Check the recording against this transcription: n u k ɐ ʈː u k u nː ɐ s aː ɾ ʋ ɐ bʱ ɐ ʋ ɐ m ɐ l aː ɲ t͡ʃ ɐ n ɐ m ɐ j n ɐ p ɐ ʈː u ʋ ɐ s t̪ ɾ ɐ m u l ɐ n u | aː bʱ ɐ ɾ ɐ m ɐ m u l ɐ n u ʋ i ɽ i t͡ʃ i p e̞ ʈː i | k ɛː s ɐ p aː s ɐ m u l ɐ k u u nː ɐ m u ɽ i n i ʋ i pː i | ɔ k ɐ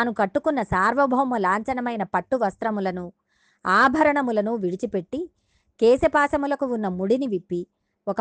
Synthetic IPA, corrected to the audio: n u k ɐ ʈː u k u nː ɐ s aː ɾ ʋ ɐ bʱ ɐ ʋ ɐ m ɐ l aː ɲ t͡ʃ ɐ n ɐ m ɐ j n ɐ p ɐ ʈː u ʋ ɐ s t̪ ɾ ɐ m u l ɐ n u | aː bʱ ɐ ɾ ɐ ɳ ɐ m u l ɐ n u ʋ i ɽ i t͡ʃ i p e̞ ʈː i | k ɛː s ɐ p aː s ɐ m u l ɐ k u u nː ɐ m u ɽ i n i ʋ i pː i | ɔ k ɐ